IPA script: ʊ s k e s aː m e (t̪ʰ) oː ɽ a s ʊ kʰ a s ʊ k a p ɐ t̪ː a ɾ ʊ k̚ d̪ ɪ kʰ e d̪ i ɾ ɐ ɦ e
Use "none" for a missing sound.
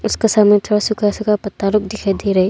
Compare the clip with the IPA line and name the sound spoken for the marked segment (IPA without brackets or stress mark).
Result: t̪ʰ